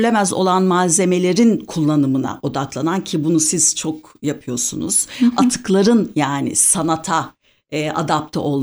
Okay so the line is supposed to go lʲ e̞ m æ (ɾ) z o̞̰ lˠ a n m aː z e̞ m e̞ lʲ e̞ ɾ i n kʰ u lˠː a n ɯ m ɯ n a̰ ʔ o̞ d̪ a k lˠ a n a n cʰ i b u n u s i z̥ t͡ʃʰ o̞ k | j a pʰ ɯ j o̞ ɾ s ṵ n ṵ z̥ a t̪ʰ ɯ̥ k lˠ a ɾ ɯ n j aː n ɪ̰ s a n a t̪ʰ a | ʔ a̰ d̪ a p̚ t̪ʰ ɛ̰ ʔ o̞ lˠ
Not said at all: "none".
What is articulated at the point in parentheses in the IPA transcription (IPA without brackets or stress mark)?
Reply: none